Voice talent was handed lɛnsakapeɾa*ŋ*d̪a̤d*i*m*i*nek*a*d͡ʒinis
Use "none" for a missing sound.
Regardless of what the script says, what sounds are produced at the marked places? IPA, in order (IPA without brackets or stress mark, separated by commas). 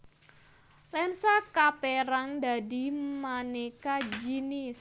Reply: ŋ, i, a, a